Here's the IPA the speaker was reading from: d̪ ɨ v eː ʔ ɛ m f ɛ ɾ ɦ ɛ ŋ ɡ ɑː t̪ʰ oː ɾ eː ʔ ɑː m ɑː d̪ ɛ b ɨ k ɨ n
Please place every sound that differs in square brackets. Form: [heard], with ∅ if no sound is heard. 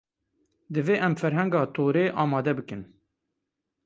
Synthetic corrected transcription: d̪ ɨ v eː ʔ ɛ m f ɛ ɾ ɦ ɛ ŋ ɡ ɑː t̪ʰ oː ɾ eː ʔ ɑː m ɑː d̪ ɛ b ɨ k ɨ n